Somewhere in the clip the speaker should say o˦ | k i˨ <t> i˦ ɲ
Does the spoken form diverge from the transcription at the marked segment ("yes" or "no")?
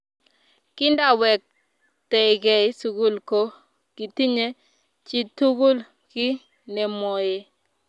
no